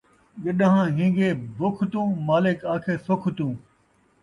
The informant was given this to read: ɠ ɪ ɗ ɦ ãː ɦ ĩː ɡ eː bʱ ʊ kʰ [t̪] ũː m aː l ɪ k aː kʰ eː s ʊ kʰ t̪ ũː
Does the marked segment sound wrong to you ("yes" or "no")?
no